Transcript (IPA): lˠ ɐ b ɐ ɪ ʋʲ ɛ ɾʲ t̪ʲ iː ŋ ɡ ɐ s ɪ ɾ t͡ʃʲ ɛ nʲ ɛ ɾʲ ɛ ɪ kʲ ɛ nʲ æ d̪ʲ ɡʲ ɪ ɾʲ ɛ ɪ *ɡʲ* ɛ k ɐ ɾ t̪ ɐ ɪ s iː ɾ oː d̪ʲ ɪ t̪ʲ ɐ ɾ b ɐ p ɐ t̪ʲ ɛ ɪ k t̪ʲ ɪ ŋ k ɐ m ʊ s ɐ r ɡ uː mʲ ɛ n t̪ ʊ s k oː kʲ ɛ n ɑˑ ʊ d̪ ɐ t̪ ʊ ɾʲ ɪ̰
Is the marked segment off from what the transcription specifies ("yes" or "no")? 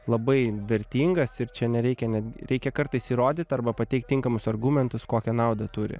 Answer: yes